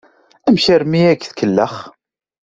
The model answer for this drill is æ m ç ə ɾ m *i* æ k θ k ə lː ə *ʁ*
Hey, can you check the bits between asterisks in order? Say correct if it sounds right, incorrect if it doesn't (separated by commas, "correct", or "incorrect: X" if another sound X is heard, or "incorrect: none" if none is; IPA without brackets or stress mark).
correct, incorrect: χ